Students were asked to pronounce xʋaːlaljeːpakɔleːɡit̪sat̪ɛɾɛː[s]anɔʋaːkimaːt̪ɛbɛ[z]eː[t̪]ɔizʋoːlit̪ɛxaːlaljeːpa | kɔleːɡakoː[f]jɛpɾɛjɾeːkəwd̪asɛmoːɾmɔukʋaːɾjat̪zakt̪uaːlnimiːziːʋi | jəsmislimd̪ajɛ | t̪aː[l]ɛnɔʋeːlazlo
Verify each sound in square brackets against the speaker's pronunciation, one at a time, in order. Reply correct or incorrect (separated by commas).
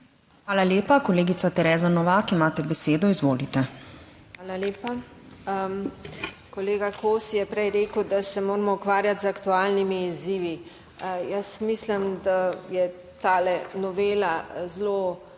incorrect, incorrect, incorrect, incorrect, correct